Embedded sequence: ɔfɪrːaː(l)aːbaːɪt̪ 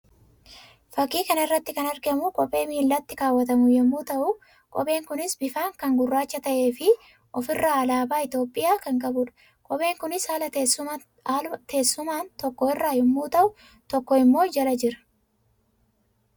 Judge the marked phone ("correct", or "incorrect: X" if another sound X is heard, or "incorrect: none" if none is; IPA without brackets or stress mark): correct